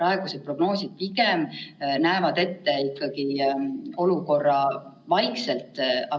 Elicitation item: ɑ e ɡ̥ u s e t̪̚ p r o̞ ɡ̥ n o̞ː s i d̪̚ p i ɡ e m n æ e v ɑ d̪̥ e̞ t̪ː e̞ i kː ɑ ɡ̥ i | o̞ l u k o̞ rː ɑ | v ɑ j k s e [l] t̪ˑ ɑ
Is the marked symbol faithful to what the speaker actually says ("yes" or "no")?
yes